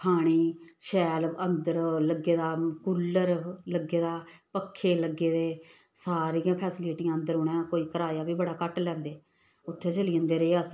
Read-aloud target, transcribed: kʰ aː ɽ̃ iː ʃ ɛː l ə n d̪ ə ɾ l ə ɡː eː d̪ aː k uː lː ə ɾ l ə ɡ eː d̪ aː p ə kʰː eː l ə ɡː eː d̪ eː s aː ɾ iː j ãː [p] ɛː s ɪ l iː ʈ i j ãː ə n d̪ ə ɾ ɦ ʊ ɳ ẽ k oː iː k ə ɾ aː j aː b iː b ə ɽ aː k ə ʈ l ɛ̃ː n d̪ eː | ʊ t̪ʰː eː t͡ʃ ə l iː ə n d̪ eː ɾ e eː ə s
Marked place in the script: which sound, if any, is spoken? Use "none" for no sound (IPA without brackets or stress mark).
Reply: pʰ